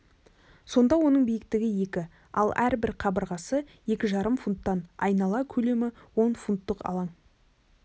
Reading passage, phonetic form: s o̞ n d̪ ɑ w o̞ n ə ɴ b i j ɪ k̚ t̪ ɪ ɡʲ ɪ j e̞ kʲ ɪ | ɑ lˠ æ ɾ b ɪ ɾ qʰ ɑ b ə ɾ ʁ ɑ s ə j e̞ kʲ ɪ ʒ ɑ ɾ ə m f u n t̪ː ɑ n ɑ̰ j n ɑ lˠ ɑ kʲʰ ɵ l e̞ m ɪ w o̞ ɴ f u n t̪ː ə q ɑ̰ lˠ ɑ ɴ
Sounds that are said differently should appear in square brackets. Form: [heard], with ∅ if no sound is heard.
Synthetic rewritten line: s o̞ n d̪ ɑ w o̞ n ə ɴ b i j ɪ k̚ t̪ ɪ ɡʲ ɪ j e̞ kʲ ɪ | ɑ lˠ æ ɾ b ɪ ɾ qʰ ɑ b ə ɾ ʁ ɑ s ə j e̞ kʲ ɪ ʒ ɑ ɾ ə m f u n t̪ː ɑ n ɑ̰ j n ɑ lˠ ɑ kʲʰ ɵ l e̞ m ɪ w o̞ [n] f u n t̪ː ə q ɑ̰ lˠ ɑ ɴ